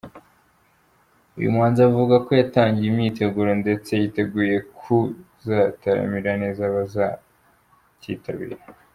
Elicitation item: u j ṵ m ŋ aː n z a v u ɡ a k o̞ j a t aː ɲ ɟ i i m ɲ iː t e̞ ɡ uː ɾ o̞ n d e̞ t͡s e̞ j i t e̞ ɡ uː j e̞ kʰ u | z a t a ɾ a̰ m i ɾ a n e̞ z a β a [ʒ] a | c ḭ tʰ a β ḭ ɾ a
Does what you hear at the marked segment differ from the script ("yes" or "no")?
yes